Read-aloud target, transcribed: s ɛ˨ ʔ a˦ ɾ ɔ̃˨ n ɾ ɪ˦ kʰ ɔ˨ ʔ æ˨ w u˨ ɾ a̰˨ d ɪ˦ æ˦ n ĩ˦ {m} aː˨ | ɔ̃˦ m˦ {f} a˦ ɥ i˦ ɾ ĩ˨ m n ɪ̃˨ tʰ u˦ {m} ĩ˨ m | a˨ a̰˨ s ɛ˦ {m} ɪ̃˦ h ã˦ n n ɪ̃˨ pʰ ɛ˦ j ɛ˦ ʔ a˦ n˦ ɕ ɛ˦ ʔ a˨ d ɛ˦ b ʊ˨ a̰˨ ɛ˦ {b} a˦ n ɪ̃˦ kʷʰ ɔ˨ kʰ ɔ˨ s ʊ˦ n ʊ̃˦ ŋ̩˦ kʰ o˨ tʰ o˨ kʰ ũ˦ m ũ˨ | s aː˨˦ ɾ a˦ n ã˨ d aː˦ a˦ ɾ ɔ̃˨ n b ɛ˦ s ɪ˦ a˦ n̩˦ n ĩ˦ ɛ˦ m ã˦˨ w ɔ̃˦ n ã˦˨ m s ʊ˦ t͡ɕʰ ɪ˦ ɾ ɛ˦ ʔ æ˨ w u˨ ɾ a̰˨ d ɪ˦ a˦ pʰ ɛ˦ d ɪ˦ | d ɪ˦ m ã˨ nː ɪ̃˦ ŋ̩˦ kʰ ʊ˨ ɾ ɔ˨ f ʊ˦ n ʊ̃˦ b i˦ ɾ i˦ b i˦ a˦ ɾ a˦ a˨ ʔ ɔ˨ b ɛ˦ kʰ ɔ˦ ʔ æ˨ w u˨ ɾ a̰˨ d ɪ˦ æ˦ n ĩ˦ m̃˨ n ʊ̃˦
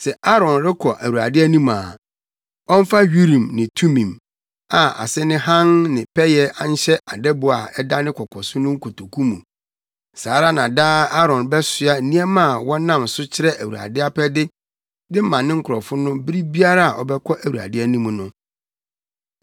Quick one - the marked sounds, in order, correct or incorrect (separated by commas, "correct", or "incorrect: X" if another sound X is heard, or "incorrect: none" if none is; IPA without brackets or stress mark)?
correct, correct, correct, incorrect: n, incorrect: d